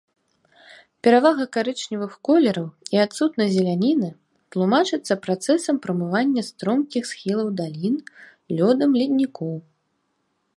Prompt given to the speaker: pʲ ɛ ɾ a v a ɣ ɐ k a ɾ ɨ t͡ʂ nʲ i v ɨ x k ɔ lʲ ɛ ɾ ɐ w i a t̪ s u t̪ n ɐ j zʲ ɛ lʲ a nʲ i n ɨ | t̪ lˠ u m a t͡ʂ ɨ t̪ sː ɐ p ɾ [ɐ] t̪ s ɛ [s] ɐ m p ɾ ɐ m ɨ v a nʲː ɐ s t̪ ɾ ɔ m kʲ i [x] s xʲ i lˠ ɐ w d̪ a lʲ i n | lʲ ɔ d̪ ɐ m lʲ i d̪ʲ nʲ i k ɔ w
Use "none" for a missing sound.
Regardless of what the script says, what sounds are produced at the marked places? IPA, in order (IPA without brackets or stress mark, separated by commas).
a, s, x